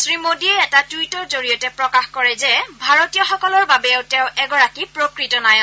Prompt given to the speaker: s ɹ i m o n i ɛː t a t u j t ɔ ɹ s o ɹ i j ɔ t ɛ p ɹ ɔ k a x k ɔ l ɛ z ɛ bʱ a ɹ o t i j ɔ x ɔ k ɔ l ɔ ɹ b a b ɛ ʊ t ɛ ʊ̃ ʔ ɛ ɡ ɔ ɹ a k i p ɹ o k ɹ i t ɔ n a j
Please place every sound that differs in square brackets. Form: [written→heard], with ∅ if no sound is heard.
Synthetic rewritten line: s ɹ i m o [n→d] i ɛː t a t u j t ɔ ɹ [s→z] o ɹ i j ɔ t ɛ p ɹ ɔ k a x k ɔ [l→ɹ] ɛ z ɛ bʱ a ɹ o t i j ɔ x ɔ k ɔ l ɔ ɹ b a b ɛ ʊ t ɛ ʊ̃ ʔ ɛ ɡ ɔ ɹ a k i p ɹ o k ɹ i t ɔ n a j

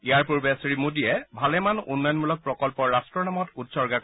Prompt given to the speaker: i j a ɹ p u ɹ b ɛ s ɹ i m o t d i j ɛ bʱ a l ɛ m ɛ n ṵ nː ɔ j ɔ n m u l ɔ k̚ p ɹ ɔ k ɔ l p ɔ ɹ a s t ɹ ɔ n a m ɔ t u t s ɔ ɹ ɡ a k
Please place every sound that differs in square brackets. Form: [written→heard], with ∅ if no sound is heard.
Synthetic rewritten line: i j a ɹ p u ɹ b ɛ s ɹ i m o [t→∅] d i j ɛ bʱ a l ɛ m [ɛ→a] n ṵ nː ɔ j ɔ n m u l ɔ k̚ p ɹ ɔ k ɔ l p ɔ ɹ a s t ɹ ɔ n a m ɔ t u t s ɔ ɹ ɡ a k

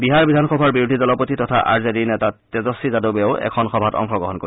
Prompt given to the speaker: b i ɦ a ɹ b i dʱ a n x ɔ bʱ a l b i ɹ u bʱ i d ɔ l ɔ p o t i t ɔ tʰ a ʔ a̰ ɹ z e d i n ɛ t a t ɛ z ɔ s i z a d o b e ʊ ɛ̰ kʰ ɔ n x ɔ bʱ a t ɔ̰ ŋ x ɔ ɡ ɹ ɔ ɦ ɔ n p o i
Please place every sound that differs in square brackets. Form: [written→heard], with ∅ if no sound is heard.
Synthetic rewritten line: b i ɦ a ɹ b i dʱ a n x ɔ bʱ a [l→ɹ] b i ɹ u [bʱ→dʱ] i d ɔ l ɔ p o t i t ɔ tʰ a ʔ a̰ ɹ z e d i n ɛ t a t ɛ z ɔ s i z a d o b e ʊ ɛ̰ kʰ ɔ n x ɔ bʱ a t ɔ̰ ŋ x ɔ ɡ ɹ ɔ ɦ ɔ n [p→k] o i

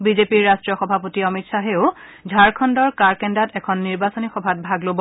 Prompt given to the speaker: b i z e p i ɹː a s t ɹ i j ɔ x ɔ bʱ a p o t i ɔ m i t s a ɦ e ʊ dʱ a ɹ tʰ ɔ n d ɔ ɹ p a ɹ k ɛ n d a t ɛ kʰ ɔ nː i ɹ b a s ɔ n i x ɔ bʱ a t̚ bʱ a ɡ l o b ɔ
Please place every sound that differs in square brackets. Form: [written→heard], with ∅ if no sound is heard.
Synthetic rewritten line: b i z e p i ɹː a s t ɹ i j ɔ x ɔ bʱ a p o t i ɔ m i t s a ɦ e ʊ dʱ a ɹ [tʰ→kʰ] ɔ n d ɔ ɹ [p→k] a ɹ k ɛ n d a t ɛ kʰ ɔ nː i ɹ b a s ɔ n i x ɔ bʱ a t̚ bʱ a ɡ l o b ɔ

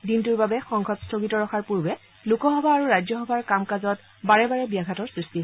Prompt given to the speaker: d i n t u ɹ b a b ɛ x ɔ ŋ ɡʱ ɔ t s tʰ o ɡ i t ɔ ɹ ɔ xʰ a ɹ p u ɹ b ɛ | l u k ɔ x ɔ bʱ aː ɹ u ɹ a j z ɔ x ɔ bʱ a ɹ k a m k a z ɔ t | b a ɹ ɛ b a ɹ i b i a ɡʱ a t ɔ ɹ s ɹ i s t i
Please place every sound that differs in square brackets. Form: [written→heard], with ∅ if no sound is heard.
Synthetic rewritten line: d i n t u ɹ b a b ɛ x ɔ ŋ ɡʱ ɔ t s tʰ o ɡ i t ɔ ɹ ɔ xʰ a ɹ p u ɹ b ɛ | l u k ɔ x ɔ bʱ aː ɹ u ɹ a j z ɔ x ɔ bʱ a ɹ k a m k a z ɔ t | b a ɹ ɛ b a ɹ [i→ɛ] b i a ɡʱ a t ɔ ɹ s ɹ i s t i

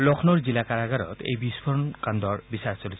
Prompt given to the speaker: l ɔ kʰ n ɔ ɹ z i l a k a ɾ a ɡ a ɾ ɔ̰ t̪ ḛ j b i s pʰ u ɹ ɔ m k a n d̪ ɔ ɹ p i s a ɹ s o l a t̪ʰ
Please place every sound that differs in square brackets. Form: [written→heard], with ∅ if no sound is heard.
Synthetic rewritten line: l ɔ kʰ n ɔ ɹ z i l a k a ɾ a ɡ a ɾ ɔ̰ t̪ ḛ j b i s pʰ [u→ɔ] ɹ ɔ [m→n] k a n d̪ ɔ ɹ [p→b] i s a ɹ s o l [a→i] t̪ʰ

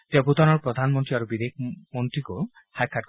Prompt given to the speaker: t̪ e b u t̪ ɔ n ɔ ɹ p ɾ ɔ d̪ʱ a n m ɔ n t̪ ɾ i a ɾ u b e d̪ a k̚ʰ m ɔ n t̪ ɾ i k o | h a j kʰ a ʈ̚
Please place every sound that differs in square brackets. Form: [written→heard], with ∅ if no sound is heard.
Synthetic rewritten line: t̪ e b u t̪ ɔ n ɔ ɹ p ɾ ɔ d̪ʱ a n m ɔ n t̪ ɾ i a ɾ u b [e→i] d̪ [a→e] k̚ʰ m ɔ n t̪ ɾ i k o | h a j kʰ a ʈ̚

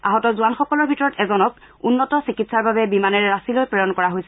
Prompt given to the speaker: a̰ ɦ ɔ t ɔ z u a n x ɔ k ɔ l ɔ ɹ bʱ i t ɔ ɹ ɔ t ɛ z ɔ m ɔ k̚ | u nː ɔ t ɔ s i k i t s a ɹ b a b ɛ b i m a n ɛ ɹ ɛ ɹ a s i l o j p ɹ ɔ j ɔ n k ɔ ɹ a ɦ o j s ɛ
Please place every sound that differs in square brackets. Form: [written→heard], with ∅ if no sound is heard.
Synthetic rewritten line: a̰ ɦ ɔ t ɔ z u a n x ɔ k ɔ l ɔ ɹ bʱ i t ɔ ɹ ɔ t ɛ z ɔ [m→n] ɔ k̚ | u nː ɔ t ɔ s i k i t s a ɹ b a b ɛ b i m a n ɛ ɹ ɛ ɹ a s i l o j p ɹ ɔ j ɔ n k ɔ ɹ a ɦ o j s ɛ

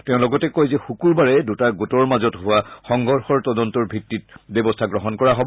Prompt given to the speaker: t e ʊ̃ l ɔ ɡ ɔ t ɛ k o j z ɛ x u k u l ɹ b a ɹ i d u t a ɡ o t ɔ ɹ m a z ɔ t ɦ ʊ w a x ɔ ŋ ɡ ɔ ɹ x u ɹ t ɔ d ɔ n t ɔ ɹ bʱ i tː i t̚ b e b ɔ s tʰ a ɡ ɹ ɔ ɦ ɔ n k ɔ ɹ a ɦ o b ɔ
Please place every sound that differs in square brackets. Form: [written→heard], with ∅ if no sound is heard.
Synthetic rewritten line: t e ʊ̃ l ɔ ɡ ɔ t ɛ k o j z ɛ x u k u [l→∅] ɹ b a ɹ [i→ɛ] d u t a ɡ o t ɔ ɹ m a z ɔ t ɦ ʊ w a x ɔ ŋ ɡ ɔ ɹ x [u→ɔ] ɹ t ɔ d ɔ n t ɔ ɹ bʱ i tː i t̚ b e b ɔ s tʰ a ɡ ɹ ɔ ɦ ɔ n k ɔ ɹ a ɦ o b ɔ

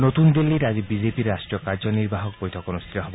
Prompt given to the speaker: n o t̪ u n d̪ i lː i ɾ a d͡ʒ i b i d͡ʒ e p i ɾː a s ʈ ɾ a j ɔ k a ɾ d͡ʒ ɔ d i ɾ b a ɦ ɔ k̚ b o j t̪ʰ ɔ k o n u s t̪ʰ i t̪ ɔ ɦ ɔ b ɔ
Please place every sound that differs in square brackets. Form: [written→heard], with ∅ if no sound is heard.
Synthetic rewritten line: n o t̪ u n d̪ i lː i ɾ a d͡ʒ i b i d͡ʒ e p i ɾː a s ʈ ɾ [a→i] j ɔ k a ɾ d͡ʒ ɔ [d→n] i ɾ b a ɦ ɔ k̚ b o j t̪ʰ ɔ k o n u s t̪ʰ i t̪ ɔ ɦ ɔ b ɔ

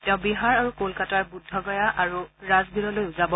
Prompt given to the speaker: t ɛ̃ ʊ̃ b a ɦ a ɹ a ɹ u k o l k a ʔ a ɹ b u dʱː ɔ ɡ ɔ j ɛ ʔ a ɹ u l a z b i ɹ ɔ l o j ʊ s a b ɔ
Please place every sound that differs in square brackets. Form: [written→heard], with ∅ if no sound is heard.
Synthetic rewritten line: t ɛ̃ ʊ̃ b [a→i] ɦ a ɹ a ɹ u k o l k a [ʔ→t] a ɹ b u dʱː ɔ ɡ ɔ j [ɛ→a] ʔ a ɹ u [l→ɹ] a z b i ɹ ɔ l o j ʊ [s→z] a b ɔ

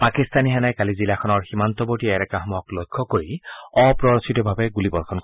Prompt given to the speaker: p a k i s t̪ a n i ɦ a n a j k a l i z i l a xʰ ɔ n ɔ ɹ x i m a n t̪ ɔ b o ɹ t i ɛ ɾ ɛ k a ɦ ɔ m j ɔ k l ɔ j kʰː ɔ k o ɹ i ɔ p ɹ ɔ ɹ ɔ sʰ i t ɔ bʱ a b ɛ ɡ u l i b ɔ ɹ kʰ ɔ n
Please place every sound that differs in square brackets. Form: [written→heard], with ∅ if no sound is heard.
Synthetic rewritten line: p a k i s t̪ a n i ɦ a n a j k a l i z i l a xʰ ɔ n ɔ ɹ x i m a n t̪ ɔ b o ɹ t i ɛ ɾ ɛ k a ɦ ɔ m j ɔ k l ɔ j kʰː ɔ k o ɹ i ɔ p ɹ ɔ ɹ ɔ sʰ i t ɔ bʱ a b ɛ ɡ u l i b ɔ ɹ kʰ ɔ n

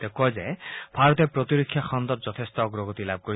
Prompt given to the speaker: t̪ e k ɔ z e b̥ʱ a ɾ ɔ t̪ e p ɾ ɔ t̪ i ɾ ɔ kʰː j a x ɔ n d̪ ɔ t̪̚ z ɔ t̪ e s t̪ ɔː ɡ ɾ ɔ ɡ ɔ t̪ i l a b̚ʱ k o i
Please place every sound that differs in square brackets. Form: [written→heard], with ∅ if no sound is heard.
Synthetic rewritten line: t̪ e k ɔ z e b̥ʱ a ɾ ɔ t̪ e p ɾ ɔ t̪ i ɾ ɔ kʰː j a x ɔ n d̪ ɔ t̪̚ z ɔ [t̪→t̪ʰ] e s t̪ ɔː ɡ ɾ ɔ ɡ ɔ t̪ i l a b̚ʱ k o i

